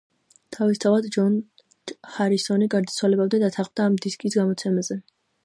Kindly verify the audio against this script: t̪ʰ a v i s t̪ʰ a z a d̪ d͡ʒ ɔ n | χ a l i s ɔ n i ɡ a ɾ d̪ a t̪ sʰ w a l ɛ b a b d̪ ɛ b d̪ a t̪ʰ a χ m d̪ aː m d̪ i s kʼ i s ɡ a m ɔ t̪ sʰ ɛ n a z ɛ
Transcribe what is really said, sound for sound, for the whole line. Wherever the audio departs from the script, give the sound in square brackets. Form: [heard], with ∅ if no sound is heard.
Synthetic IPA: t̪ʰ a v i s t̪ʰ a [v] a d̪ d͡ʒ ɔ n | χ a [ɾ] i s ɔ n i ɡ a ɾ d̪ a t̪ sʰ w a l ɛ b a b d̪ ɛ [∅] d̪ a t̪ʰ a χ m d̪ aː m d̪ i s kʼ i s ɡ a m ɔ t̪ sʰ ɛ [m] a z ɛ